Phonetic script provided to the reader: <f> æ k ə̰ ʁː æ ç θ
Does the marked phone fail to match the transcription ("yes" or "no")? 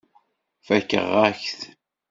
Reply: no